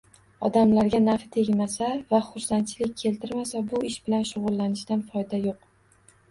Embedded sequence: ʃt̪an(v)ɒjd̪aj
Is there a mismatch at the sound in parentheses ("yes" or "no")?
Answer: yes